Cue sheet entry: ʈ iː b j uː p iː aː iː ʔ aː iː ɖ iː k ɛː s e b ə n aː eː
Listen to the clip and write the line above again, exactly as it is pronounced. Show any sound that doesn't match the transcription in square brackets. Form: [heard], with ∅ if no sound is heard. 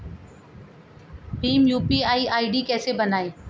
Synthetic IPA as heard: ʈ iː [m] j uː p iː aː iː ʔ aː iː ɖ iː k ɛː s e b ə n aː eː